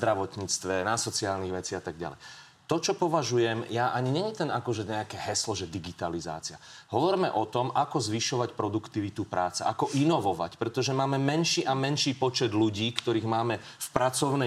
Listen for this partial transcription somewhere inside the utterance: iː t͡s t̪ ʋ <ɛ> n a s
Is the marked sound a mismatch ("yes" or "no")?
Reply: no